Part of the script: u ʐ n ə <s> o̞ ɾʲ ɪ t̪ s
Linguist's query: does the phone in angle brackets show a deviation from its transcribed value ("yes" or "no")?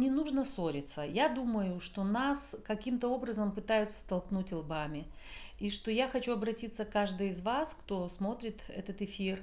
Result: no